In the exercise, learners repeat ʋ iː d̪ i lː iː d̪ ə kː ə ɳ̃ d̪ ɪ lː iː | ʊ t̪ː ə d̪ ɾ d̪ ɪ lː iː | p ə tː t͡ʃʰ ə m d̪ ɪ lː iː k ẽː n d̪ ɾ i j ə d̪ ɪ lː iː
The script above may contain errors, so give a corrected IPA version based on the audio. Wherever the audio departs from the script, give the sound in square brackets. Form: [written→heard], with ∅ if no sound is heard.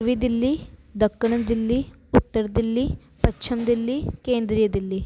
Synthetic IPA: ʋ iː d̪ [i→ɪ] lː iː d̪ ə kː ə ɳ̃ d̪ ɪ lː iː | ʊ t̪ː ə [d̪→∅] ɾ d̪ ɪ lː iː | p ə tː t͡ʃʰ ə m d̪ ɪ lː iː k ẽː n d̪ ɾ i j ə d̪ ɪ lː iː